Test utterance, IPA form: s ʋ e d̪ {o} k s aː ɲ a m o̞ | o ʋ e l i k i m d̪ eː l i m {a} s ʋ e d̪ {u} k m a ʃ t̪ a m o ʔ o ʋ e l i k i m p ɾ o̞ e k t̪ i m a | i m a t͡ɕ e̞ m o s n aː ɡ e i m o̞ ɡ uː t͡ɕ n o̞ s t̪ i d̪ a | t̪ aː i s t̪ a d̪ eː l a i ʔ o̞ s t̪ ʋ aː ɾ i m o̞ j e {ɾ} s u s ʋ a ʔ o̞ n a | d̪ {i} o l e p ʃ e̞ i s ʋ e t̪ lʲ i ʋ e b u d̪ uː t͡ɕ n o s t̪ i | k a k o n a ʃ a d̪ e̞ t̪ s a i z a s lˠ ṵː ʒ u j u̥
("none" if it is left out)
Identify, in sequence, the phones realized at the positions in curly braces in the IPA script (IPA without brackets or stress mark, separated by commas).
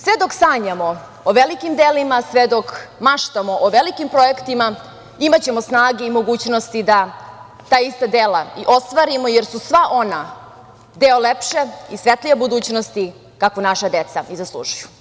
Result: o, a, o, ɾ, e